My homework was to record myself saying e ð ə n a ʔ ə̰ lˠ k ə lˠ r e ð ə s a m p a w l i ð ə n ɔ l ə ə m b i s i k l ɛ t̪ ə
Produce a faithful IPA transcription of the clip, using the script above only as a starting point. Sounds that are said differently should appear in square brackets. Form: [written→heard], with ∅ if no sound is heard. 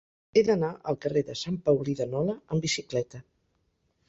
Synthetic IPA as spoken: e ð ə n a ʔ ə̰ lˠ k ə [lˠ→∅] r e ð ə s a m p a w l i ð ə n ɔ l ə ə m b i s i k l ɛ t̪ ə